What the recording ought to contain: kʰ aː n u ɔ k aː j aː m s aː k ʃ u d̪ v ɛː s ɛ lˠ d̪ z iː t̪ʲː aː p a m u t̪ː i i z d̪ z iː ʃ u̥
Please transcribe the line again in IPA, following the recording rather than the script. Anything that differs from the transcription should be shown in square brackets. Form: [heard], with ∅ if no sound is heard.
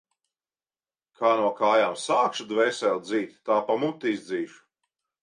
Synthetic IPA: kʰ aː n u ɔ k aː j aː m s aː k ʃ u d̪ v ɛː s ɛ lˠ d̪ z iː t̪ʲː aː p a m u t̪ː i i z d̪ z iː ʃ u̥